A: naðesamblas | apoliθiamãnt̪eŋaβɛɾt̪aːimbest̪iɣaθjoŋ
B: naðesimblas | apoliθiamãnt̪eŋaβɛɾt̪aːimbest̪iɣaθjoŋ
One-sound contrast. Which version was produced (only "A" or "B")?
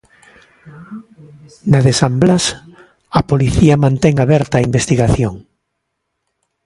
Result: A